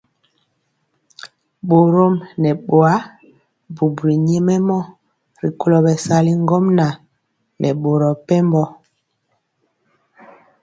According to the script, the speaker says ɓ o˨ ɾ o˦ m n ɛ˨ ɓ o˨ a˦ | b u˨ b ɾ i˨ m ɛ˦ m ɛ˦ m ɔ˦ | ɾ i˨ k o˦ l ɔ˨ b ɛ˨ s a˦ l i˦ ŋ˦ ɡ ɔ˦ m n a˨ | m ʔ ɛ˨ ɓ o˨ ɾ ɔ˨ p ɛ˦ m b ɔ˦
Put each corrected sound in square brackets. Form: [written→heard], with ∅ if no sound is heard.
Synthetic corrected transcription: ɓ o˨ ɾ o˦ m n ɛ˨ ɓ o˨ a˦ | b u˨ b ɾ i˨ [m→ɲ] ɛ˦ m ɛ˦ m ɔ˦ | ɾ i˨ k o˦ l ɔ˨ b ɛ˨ s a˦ l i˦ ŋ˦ ɡ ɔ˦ m n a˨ | [m→n] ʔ ɛ˨ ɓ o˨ ɾ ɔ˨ p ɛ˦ m b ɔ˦